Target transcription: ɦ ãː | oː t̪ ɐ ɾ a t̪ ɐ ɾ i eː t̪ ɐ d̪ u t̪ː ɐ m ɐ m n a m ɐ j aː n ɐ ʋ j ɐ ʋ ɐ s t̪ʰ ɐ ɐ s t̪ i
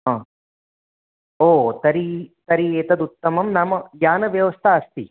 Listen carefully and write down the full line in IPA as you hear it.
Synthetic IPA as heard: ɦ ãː | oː t̪ ɐ ɾ i t̪ ɐ ɾ i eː t̪ ɐ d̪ u t̪ː ɐ m ɐ m n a m ɐ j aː n ɐ ʋ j ɐ ʋ ɐ s t̪ʰ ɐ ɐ s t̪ i